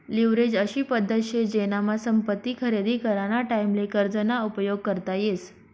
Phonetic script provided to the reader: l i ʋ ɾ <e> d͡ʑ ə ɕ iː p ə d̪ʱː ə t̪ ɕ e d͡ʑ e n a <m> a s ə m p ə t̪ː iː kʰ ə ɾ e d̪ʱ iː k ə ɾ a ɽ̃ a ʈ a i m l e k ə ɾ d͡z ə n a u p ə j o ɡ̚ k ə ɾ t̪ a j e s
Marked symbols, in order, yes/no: yes, yes

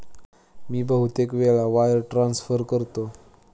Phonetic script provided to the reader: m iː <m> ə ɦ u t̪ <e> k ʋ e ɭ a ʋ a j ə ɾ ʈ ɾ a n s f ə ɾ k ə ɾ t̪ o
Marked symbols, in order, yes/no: no, yes

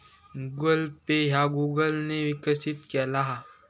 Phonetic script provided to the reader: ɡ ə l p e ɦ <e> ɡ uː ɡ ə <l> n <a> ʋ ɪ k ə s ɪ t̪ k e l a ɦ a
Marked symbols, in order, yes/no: no, yes, no

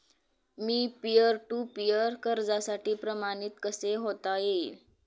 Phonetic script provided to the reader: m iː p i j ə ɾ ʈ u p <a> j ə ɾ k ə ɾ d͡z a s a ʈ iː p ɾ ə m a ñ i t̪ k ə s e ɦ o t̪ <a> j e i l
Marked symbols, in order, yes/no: no, yes

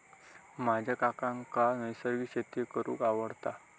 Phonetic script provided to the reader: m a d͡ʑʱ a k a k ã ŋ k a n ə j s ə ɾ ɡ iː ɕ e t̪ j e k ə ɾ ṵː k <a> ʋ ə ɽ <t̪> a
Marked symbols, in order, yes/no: yes, yes

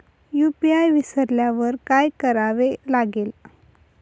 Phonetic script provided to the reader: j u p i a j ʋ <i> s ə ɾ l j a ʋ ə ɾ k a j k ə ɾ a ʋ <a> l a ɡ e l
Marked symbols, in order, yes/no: yes, no

